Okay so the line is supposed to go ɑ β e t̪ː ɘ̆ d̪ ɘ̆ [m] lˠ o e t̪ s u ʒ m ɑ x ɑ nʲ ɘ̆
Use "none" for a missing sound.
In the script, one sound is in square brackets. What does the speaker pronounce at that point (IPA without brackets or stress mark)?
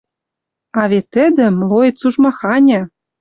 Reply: m